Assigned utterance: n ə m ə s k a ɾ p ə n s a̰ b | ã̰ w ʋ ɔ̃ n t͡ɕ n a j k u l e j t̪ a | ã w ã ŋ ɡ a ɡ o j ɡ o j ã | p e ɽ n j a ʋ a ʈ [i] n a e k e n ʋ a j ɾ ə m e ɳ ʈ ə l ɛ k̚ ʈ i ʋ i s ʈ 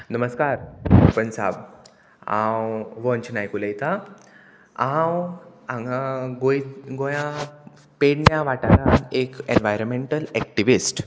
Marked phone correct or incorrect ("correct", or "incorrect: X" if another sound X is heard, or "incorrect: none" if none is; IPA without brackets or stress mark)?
incorrect: a